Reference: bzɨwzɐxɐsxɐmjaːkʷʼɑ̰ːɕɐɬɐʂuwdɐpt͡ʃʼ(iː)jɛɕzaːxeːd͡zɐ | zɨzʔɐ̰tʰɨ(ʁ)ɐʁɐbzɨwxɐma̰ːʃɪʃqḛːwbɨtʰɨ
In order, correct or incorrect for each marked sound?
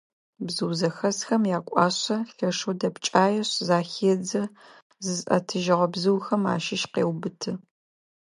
incorrect: aː, incorrect: ʒ

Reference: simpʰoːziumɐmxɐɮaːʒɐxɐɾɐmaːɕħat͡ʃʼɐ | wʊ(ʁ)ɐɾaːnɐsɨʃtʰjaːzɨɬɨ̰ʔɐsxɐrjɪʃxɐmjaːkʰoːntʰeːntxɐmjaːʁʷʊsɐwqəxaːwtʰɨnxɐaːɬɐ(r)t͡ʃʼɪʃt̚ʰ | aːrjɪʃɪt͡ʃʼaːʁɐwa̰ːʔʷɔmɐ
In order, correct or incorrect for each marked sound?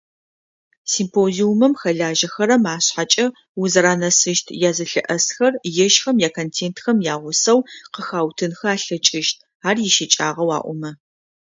incorrect: z, incorrect: none

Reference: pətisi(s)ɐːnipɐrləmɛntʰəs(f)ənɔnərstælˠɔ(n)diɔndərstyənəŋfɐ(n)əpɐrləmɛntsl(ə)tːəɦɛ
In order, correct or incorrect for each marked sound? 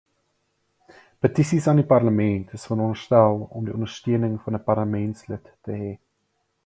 correct, correct, incorrect: m, correct, correct

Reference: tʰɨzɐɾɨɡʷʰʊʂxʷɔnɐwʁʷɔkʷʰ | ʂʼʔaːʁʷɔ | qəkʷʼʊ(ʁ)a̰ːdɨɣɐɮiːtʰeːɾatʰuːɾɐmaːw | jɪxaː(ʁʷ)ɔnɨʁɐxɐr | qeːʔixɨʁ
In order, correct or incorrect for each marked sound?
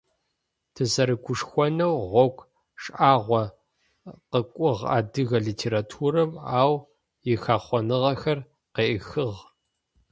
correct, incorrect: χʷ

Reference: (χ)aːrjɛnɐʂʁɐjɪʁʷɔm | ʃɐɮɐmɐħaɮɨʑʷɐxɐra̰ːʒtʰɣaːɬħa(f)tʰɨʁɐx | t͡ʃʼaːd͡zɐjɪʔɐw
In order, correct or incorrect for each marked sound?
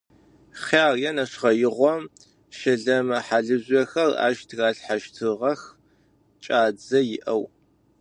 correct, incorrect: ʃ

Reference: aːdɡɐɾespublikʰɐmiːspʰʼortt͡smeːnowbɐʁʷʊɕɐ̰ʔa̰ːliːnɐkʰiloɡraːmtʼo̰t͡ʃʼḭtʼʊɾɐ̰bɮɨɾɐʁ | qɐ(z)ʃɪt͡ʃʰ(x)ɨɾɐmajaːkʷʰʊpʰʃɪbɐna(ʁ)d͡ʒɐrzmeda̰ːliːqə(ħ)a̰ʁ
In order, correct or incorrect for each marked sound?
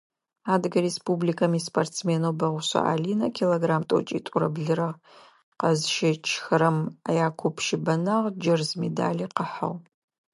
correct, correct, correct, correct

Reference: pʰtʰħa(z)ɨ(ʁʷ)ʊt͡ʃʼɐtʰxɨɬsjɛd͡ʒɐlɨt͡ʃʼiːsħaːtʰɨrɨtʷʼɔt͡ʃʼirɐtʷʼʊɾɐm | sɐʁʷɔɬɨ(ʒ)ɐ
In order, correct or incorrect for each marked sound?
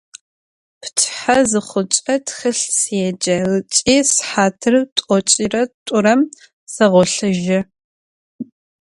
correct, incorrect: χʷ, correct

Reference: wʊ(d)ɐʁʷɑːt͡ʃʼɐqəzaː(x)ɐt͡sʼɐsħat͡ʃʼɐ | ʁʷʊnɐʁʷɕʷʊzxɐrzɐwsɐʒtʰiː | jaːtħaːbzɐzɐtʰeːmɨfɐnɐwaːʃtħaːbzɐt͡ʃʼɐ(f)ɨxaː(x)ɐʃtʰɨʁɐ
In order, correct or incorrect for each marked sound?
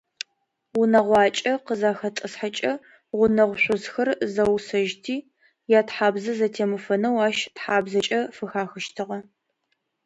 incorrect: n, correct, correct, correct

